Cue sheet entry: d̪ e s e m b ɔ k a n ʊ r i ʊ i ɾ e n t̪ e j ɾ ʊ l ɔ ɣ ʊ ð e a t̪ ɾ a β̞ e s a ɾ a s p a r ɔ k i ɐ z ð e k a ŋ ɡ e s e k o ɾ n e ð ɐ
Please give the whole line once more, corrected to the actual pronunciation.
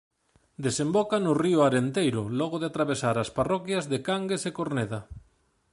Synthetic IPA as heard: d̪ e s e m b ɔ k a n ʊ r i ʊ a ɾ e n t̪ e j ɾ ʊ l ɔ ɣ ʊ ð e a t̪ ɾ a β̞ e s a ɾ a s p a r ɔ k j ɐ z ð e k a ŋ ɡ e s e k o ɾ n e ð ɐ